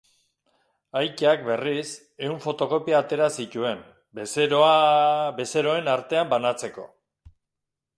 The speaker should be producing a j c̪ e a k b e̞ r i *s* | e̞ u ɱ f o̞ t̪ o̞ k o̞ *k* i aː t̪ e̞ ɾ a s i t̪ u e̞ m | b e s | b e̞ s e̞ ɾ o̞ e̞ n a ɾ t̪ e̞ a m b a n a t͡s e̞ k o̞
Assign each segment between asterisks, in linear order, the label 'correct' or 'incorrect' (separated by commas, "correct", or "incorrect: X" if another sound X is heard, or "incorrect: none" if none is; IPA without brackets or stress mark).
correct, incorrect: p